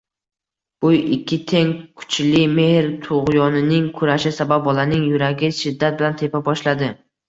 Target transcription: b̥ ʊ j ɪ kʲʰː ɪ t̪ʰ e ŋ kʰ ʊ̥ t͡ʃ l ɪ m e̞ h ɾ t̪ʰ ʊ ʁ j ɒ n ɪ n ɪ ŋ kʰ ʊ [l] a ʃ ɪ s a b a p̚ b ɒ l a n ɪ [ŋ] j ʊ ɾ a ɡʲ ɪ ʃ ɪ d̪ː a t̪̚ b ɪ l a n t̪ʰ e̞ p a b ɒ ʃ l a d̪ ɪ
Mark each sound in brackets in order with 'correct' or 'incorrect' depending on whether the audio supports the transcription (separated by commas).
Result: incorrect, correct